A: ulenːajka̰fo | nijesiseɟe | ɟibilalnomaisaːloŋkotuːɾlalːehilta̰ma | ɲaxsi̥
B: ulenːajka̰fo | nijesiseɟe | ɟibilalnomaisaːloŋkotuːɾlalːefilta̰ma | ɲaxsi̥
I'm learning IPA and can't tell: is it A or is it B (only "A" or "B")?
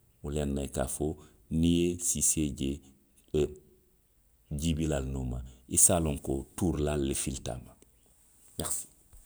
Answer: B